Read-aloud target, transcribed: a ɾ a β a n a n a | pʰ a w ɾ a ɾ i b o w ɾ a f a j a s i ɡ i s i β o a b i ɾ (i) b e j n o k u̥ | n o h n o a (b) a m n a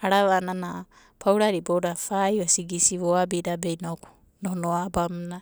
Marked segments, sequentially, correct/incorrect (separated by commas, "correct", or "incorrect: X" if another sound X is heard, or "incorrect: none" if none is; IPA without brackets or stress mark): incorrect: a, correct